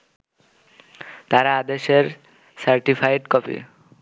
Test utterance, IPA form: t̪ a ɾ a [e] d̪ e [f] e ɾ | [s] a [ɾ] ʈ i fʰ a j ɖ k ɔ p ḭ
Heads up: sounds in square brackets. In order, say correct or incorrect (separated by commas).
incorrect, incorrect, correct, correct